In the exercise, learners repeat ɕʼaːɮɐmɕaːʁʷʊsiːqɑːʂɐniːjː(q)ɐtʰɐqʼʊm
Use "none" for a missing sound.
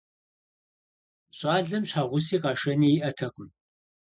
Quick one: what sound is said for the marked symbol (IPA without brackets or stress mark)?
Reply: ʔ